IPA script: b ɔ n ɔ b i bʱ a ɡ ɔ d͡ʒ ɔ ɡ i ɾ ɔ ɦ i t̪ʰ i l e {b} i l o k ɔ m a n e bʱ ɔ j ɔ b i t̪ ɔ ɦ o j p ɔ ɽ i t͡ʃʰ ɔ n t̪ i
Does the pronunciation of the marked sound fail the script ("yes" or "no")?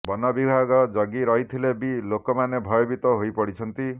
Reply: no